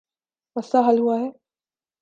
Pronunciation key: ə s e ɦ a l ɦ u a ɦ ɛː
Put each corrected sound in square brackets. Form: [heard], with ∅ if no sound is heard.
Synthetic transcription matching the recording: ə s [a] ɦ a l ɦ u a ɦ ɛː